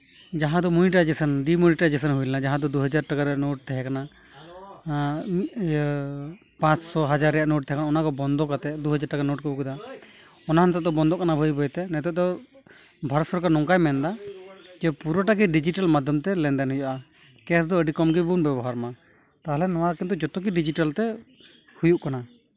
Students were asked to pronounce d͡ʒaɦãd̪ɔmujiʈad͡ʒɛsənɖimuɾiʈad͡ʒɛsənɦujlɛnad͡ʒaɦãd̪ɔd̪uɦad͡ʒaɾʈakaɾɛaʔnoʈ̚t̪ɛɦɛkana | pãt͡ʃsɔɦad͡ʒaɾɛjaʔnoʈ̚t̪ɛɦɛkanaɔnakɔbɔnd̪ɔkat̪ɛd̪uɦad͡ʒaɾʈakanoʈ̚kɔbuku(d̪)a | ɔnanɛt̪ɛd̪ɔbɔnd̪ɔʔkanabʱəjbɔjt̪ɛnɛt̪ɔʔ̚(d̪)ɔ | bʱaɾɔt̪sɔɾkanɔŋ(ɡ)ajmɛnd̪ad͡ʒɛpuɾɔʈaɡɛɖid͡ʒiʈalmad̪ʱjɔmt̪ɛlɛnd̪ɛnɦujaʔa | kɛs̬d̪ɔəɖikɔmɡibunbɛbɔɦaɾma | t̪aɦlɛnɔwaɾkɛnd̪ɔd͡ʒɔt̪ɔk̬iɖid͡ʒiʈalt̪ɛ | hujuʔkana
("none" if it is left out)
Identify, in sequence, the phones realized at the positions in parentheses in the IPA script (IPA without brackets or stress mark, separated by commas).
d̪, d̪, k